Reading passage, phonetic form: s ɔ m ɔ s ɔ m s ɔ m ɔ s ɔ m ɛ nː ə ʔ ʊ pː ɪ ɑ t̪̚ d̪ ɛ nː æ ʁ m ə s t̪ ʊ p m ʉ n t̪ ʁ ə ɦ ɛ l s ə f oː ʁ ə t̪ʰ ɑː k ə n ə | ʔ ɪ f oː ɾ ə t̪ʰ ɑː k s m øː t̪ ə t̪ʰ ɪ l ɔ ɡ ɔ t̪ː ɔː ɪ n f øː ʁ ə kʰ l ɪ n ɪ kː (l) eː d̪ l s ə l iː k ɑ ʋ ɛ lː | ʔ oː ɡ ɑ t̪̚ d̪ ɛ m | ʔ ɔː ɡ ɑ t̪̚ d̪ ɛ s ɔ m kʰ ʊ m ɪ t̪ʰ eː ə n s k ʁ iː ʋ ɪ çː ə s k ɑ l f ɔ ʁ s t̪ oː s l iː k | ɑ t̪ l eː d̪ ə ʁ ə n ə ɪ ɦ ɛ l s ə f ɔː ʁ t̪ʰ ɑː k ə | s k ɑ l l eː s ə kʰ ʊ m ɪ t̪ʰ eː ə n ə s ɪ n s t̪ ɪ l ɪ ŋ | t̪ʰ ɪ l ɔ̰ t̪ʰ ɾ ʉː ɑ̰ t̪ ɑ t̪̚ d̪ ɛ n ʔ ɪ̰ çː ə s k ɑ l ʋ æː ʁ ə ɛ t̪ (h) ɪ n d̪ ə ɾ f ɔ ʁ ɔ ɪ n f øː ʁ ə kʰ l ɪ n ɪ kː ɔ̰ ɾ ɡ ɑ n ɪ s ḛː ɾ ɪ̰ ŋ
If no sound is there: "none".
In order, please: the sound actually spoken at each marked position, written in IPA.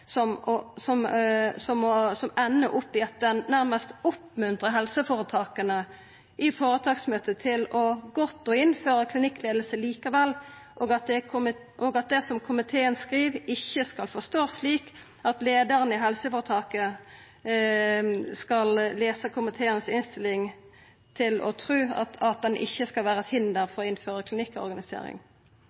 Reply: l, h

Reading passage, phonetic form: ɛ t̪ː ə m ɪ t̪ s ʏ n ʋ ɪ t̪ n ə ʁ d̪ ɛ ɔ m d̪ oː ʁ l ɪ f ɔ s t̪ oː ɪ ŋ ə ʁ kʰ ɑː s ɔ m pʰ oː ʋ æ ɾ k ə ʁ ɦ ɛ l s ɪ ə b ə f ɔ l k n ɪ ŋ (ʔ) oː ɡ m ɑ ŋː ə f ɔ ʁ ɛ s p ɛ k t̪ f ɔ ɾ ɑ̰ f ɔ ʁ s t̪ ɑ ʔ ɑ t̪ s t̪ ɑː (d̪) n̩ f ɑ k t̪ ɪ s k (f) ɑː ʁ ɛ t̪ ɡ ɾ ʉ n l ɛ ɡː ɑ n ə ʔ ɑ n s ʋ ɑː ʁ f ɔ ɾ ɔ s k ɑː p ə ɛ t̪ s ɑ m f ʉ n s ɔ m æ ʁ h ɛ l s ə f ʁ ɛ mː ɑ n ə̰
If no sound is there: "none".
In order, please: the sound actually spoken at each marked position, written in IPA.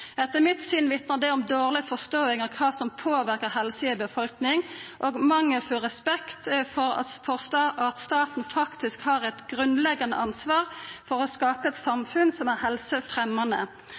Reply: ʔ, t̪, h

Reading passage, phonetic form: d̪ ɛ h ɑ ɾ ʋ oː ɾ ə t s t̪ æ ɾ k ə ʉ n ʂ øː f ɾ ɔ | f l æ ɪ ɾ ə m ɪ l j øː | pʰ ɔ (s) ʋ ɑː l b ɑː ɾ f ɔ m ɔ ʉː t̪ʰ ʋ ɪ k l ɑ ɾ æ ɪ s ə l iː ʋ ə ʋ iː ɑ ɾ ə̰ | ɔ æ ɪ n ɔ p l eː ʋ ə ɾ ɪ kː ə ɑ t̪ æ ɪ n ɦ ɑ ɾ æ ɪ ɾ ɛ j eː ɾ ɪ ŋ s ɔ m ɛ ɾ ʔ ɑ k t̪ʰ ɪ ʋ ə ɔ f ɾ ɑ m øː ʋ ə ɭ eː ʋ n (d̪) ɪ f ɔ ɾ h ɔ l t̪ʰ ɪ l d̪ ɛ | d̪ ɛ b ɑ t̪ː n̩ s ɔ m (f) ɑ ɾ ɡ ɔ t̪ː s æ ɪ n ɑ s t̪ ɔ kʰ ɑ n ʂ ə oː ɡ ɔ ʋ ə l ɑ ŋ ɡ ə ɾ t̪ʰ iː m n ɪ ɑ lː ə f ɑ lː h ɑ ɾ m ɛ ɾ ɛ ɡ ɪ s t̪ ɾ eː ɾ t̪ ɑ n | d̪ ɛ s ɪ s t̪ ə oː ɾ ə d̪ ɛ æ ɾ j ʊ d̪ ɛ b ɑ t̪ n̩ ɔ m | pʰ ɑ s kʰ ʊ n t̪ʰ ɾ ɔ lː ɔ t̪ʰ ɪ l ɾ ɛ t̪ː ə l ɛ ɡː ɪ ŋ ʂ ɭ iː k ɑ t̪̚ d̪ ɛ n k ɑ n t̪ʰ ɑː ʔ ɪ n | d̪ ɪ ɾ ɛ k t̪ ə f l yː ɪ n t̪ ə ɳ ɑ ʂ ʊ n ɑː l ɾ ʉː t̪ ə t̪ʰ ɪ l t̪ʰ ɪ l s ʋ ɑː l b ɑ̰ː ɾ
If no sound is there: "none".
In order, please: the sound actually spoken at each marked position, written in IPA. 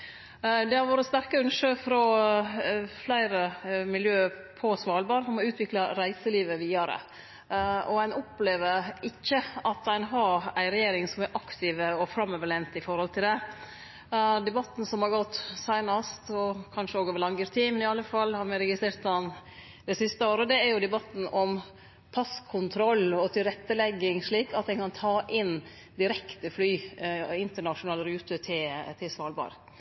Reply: s, t̪, h

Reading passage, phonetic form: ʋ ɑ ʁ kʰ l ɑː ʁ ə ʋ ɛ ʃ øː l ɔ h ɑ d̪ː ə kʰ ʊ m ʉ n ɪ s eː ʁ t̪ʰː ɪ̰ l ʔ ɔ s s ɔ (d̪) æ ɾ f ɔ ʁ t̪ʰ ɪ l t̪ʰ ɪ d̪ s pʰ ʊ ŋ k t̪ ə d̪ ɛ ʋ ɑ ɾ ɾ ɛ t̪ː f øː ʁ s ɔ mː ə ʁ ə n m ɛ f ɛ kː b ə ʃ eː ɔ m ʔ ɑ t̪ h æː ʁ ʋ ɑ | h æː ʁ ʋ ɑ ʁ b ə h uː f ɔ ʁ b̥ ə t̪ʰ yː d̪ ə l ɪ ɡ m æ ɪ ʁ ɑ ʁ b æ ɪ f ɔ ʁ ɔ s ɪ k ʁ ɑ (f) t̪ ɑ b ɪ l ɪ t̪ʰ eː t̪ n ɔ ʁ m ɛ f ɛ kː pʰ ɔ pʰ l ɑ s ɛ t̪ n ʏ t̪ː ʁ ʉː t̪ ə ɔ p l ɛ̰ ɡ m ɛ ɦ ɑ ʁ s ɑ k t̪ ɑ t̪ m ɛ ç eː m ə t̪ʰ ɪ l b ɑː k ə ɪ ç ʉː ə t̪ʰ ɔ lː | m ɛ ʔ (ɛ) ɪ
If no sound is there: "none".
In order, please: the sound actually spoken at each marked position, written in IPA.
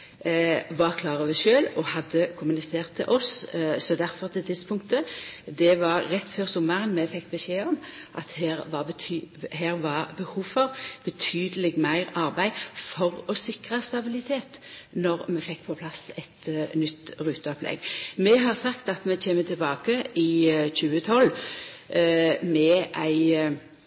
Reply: d̪, s, æ

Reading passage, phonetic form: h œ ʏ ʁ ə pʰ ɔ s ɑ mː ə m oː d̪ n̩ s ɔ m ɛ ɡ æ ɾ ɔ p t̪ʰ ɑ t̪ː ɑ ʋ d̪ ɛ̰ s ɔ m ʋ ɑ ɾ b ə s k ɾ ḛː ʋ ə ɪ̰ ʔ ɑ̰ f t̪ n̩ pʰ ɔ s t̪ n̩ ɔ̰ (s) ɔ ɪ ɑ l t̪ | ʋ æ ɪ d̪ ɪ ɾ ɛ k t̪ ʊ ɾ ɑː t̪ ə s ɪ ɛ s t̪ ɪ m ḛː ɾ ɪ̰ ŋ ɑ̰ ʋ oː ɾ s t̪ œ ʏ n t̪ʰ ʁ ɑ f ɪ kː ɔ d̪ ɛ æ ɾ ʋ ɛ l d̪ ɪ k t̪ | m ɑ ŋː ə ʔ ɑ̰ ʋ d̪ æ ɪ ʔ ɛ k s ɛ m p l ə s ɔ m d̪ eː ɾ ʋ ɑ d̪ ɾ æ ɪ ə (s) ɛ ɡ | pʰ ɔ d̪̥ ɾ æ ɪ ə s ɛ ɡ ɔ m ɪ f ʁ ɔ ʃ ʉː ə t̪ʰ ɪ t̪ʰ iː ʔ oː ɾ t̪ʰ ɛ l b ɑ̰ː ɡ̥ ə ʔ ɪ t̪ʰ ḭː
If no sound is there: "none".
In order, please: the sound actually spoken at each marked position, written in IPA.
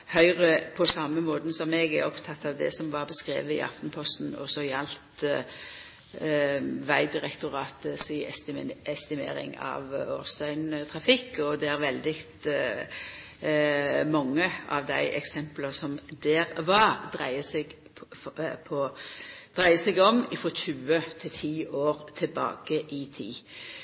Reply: s, s

